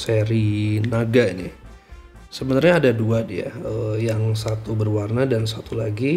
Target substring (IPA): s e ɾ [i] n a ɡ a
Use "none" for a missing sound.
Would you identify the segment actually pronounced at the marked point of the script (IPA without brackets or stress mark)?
i